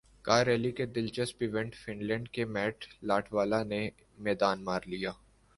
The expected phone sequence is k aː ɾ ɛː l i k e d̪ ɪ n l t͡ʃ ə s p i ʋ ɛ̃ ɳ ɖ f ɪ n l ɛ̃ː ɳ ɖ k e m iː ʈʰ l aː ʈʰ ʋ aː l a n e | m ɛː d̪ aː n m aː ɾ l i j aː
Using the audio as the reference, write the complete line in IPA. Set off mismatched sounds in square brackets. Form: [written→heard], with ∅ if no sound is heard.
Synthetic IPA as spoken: k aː ɾ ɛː l i k e d̪ ɪ [n→∅] l t͡ʃ ə s p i ʋ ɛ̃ ɳ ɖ f ɪ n l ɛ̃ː ɳ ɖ k e m [iː→ɛː] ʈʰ l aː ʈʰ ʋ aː l a n e | m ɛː d̪ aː n m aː ɾ l i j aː